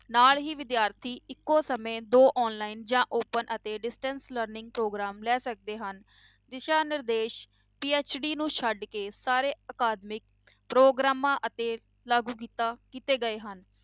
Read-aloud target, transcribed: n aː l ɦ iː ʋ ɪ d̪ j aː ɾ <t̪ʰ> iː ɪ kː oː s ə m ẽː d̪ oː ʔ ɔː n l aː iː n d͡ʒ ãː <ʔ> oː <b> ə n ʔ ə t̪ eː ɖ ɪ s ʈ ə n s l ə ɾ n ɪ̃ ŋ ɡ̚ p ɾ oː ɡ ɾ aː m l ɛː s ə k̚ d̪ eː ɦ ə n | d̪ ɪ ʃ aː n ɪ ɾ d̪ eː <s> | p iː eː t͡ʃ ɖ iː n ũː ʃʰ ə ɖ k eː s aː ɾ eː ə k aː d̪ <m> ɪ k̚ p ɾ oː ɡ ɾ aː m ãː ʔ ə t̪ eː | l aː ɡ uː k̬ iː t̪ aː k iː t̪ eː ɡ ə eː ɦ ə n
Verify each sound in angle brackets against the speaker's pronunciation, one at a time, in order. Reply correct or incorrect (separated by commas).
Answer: correct, correct, incorrect, incorrect, correct